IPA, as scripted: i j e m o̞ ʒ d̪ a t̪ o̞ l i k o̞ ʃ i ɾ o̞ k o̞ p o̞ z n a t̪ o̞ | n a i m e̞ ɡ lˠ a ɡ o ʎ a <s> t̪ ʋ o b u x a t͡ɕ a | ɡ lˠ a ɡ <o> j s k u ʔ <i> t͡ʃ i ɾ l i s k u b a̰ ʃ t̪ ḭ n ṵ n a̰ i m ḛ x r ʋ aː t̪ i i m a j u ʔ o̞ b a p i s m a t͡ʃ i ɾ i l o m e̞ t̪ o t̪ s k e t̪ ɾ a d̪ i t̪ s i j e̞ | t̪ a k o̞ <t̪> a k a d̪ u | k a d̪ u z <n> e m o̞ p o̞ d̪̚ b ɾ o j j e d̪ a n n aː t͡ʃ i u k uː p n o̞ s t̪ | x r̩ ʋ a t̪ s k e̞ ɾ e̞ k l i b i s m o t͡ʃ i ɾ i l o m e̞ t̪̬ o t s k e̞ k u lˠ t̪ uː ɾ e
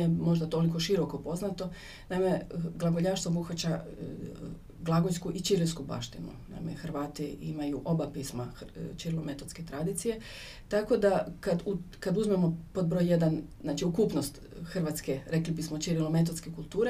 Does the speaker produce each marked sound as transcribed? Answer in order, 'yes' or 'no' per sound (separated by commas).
no, yes, yes, no, no